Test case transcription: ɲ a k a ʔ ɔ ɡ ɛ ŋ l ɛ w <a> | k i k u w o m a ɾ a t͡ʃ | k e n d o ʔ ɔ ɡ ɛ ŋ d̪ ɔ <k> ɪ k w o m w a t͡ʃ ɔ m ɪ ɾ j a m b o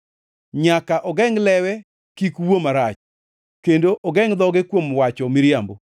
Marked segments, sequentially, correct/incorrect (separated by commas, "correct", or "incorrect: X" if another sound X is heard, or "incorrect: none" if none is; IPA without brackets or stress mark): incorrect: ɛ, incorrect: ɡ